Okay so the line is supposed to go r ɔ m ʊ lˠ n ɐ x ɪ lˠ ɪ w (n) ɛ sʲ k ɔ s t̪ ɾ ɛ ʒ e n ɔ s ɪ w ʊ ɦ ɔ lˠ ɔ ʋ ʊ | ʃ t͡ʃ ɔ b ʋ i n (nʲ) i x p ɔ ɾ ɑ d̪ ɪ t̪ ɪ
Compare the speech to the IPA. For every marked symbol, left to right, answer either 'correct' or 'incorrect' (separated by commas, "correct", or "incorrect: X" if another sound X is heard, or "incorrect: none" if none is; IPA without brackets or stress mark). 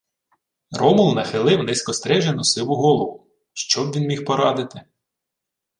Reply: correct, incorrect: mʲ